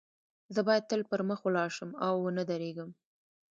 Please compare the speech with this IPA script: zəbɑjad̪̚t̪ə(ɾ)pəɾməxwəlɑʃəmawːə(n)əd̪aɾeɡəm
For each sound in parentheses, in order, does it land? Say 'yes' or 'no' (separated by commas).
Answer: no, yes